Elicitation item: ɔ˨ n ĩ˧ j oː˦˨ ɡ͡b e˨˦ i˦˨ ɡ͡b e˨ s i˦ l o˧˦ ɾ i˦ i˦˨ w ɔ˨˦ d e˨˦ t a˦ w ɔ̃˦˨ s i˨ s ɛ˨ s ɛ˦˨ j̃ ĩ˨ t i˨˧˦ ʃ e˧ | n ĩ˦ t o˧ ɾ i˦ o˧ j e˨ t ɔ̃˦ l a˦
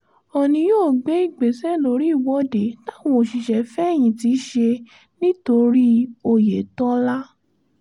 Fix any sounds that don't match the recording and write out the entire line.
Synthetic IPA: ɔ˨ n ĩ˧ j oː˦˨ ɡ͡b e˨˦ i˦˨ ɡ͡b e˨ s ɛ˦ l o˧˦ ɾ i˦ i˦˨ w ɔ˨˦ d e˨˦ t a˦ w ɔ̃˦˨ ʃ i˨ ʃ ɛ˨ f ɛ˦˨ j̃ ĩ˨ t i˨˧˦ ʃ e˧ | n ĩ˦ t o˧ ɾ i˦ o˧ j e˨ t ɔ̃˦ l a˦